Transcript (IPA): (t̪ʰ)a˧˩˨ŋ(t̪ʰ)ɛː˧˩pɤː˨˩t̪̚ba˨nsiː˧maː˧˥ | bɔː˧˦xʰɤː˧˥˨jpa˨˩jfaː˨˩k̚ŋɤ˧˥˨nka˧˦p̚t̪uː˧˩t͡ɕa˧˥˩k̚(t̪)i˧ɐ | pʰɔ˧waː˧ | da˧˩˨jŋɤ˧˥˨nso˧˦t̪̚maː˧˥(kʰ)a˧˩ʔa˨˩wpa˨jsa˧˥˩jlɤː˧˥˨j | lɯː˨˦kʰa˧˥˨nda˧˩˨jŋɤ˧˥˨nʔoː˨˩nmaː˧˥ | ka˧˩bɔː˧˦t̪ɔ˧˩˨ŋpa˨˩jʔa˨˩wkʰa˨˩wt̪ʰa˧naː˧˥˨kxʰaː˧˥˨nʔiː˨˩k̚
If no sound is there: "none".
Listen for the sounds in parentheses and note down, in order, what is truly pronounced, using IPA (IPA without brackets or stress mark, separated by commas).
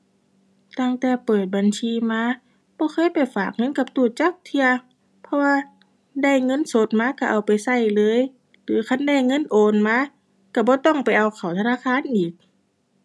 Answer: t̪, t̪, t̪ʰ, k